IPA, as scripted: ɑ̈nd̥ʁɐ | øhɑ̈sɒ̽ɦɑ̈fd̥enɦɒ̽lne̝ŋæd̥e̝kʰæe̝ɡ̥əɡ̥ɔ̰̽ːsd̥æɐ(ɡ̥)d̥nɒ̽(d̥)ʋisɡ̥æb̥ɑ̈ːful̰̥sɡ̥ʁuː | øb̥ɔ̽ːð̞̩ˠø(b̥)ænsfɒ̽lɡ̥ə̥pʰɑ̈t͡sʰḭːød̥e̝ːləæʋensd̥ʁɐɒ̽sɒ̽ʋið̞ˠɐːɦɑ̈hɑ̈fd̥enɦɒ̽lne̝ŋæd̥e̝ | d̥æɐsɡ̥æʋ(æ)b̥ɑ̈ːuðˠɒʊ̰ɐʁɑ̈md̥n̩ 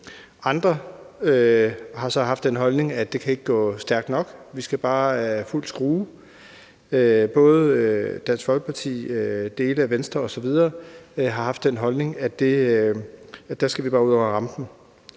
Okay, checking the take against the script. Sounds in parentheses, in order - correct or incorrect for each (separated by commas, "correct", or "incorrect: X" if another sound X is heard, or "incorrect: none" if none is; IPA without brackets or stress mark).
correct, incorrect: ɡ̥, incorrect: d̥, incorrect: i